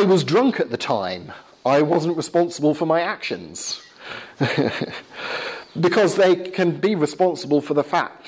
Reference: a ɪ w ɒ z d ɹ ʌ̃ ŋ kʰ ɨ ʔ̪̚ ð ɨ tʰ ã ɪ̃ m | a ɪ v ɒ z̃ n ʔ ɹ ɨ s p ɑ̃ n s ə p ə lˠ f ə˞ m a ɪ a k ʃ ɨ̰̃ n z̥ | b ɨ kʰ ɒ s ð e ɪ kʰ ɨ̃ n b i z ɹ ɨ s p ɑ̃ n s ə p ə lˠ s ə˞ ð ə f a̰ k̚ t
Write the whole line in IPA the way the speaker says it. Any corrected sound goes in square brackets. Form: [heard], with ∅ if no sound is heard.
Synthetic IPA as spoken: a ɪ w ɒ z d ɹ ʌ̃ ŋ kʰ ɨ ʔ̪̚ ð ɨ tʰ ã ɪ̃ m | a ɪ [w] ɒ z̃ n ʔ ɹ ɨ s p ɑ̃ n s ə [b] ə lˠ f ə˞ m a ɪ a k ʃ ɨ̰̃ n z̥ | b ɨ kʰ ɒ [z] ð e ɪ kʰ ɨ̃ n b i [∅] ɹ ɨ s p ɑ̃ n s ə [b] ə lˠ [f] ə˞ ð ə f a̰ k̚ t